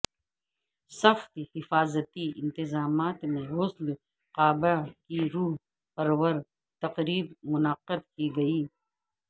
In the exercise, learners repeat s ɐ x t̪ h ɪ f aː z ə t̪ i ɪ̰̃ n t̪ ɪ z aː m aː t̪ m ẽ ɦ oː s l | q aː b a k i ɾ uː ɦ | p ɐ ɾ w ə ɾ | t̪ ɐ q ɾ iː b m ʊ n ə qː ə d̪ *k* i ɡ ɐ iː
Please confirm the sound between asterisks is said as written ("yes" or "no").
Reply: yes